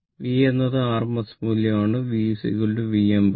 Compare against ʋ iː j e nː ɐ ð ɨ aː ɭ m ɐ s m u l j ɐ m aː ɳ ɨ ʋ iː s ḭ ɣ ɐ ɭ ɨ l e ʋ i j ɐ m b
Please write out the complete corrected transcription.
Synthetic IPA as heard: ʋ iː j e nː ɐ ð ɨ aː r m ɐ s m u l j ɐ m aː ɳ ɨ ʋ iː s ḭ ɣ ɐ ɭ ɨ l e ʋ i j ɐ m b